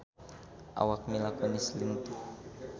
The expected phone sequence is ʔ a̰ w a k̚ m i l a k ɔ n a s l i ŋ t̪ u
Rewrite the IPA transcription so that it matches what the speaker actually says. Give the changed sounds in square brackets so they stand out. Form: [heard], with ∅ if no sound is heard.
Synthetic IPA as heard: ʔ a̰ w a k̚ m i l a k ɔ n [i] s l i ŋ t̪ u